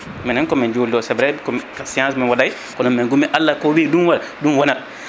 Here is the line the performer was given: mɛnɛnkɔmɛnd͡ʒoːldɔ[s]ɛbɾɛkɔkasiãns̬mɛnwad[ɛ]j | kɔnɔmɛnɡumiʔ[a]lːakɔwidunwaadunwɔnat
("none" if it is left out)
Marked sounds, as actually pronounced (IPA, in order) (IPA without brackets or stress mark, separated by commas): s, a, a